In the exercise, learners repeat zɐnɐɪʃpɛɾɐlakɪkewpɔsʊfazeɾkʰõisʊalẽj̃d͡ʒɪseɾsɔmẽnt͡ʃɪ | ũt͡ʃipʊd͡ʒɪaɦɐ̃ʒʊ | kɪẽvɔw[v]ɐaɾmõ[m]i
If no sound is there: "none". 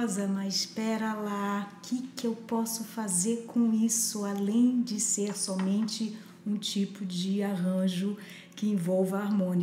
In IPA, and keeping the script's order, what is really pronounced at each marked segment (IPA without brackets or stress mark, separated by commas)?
v, n